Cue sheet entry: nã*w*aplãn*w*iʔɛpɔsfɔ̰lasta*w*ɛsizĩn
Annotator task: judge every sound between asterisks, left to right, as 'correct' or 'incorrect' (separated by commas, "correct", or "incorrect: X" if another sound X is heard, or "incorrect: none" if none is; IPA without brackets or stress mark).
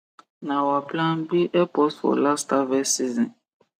correct, incorrect: b, incorrect: v